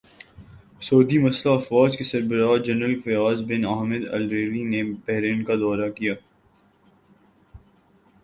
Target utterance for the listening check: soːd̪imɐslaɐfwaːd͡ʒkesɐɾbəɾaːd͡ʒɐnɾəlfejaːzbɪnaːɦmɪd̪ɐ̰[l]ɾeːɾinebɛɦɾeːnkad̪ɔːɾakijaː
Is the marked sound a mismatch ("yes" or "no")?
no